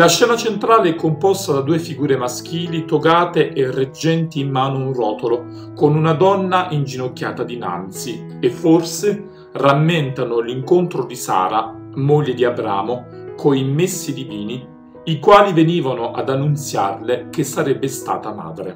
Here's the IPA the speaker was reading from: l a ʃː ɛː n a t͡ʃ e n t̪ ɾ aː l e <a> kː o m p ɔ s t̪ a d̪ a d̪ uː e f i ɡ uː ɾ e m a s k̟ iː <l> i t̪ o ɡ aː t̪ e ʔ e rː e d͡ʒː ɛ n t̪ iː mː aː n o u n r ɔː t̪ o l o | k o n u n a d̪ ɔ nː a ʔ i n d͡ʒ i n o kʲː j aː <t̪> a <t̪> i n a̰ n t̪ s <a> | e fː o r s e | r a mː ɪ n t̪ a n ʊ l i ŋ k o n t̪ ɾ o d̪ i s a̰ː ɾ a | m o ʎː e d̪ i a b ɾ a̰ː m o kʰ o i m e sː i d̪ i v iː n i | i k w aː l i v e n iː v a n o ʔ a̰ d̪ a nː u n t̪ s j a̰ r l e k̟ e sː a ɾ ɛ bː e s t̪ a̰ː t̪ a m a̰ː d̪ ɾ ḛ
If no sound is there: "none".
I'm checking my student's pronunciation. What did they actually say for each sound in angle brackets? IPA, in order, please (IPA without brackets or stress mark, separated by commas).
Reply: ɛ, l, t̪, d̪, i